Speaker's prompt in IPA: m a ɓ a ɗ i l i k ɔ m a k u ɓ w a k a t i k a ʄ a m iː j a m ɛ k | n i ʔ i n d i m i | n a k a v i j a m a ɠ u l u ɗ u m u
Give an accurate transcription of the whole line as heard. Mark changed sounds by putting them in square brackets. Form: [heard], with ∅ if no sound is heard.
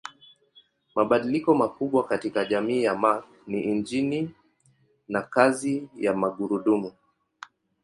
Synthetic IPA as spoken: m a ɓ a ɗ i l i k ɔ m a k u ɓ w a k a t i k a ʄ a m iː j a m [a] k | n i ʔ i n [d͡ʒ] i [n] i | n a k a [z] i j a m a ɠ u [ɾ] u ɗ u m u

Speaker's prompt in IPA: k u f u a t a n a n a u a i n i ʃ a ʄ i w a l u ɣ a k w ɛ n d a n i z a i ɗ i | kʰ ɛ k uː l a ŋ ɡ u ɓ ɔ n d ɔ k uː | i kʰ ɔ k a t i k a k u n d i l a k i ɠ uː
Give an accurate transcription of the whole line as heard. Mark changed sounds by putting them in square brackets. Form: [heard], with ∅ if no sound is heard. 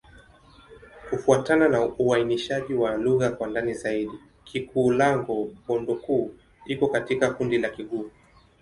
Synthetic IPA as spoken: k u f u a t a n a n a u a i n i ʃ a ʄ i w a l u ɣ a k w [a] n d a n i z a i ɗ i | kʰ [i] k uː l a ŋ ɡ u ɓ ɔ n d ɔ k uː | i [k] ɔ k a t i k a k u n d i l a k i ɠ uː

